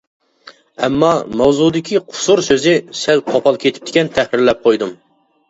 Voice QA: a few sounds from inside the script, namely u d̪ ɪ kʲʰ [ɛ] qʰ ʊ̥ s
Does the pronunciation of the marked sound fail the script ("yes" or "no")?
yes